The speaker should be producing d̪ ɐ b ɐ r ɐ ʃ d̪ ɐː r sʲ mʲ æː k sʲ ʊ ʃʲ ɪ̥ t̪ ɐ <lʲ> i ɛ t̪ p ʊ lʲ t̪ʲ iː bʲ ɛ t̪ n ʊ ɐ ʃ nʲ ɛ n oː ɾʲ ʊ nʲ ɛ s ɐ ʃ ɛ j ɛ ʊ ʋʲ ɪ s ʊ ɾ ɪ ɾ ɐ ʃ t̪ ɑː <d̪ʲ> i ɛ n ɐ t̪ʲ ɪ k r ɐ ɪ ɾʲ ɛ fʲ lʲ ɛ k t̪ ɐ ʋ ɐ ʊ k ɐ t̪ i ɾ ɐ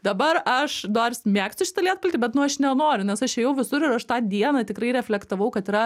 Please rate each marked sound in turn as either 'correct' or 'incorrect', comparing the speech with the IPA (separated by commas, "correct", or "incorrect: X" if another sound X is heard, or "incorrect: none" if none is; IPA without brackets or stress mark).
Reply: correct, correct